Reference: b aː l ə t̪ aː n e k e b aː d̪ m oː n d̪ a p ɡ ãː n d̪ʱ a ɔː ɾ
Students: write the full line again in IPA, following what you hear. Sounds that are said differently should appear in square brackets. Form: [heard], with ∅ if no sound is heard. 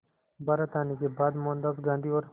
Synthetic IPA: b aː [ɾ] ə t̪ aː n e k e b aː d̪ m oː n d̪ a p ɡ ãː n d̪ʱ [i] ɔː ɾ